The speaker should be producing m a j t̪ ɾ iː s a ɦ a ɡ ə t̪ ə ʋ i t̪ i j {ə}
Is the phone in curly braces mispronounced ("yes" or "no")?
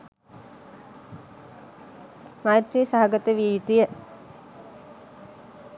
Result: no